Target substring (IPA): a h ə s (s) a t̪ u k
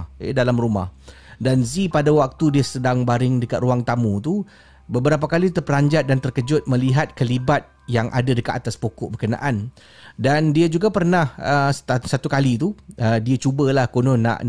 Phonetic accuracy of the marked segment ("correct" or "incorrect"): correct